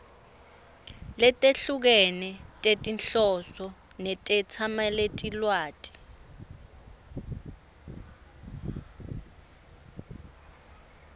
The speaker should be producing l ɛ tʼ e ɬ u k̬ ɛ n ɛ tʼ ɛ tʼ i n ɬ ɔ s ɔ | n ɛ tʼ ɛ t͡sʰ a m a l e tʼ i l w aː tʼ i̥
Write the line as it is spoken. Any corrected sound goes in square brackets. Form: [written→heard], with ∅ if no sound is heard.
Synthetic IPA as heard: l ɛ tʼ e ɬ u k̬ ɛ n ɛ tʼ [ɛ→e] tʼ i n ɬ ɔ s ɔ | n ɛ tʼ ɛ t͡sʰ a m a l e tʼ i l w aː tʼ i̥

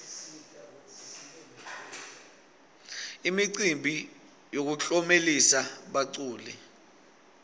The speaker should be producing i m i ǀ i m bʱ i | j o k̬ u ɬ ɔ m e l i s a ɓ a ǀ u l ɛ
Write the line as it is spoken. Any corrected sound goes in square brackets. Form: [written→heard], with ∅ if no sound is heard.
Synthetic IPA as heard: i m i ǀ i m bʱ i | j o k̬ u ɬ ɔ m e l i s a ɓ a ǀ [u→uː] l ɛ

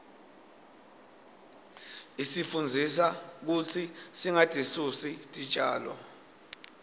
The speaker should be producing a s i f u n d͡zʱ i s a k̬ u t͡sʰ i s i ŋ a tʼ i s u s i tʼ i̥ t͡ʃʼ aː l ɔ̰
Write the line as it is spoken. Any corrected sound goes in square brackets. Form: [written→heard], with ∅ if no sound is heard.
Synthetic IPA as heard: [a→i] s i f u n d͡zʱ i s a k̬ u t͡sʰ i s i ŋ a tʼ i s u s i tʼ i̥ t͡ʃʼ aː l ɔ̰

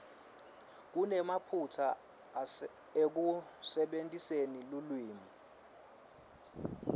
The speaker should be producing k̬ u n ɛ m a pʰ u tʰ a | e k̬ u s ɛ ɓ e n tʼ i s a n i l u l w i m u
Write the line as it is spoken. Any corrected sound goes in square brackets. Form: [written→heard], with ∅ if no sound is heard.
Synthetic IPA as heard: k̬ u n ɛ m a pʰ u tʰ a | e k̬ u s ɛ ɓ e n tʼ i s [a→e] n i l u l w [i→iː] m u

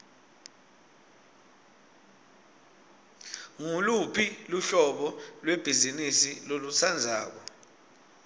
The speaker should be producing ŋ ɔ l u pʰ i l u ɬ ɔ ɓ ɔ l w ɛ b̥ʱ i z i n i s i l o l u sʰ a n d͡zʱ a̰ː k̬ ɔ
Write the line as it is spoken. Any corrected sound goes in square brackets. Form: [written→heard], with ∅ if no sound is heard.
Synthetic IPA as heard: ŋ [ɔ→u] l u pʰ i l u ɬ ɔ ɓ ɔ l w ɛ b̥ʱ i z i n i s i l o l u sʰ a n d͡zʱ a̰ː k̬ ɔ

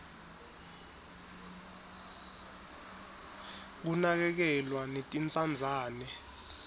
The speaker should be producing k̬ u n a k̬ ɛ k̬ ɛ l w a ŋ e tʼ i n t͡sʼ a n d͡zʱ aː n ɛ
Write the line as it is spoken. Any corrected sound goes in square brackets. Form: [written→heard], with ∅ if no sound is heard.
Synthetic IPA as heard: k̬ u n a k̬ ɛ k̬ ɛ l w a [ŋ→n] e tʼ i n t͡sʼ a n d͡zʱ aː n ɛ

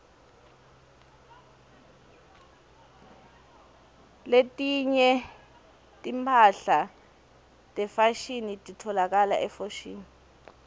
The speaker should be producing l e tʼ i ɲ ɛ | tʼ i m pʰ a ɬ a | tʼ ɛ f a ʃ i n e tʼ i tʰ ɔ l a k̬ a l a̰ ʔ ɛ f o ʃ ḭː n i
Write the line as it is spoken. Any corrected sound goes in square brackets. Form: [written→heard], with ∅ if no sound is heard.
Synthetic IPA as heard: l e tʼ i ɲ ɛ | tʼ i m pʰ a ɬ a | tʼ ɛ f a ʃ i n [e→i] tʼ i tʰ ɔ l a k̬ a l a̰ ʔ ɛ f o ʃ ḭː n i

